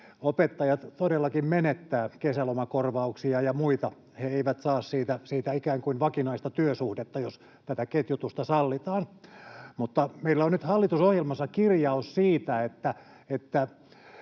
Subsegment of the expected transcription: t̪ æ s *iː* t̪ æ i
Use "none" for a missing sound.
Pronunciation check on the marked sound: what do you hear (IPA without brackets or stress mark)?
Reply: iː